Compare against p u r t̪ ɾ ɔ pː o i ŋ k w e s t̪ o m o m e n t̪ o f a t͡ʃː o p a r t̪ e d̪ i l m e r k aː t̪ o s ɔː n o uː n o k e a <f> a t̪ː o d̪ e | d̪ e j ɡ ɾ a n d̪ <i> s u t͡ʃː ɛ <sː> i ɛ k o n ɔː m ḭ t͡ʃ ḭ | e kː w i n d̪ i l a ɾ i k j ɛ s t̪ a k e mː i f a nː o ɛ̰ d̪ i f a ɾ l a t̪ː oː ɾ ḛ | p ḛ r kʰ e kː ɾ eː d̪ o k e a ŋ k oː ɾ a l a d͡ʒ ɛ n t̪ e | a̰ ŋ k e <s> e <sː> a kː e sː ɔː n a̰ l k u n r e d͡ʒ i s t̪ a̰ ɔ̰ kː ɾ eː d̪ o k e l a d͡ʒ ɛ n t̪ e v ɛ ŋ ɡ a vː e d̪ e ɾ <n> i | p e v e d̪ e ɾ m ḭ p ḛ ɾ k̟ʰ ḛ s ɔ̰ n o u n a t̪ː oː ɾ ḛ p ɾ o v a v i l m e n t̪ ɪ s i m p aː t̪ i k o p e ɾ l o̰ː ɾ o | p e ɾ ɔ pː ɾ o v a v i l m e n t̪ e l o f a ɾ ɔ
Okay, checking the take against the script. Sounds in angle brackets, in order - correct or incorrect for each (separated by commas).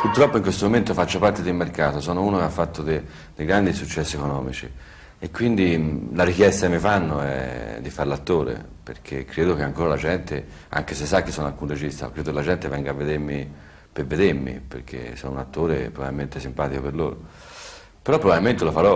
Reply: incorrect, correct, correct, correct, correct, incorrect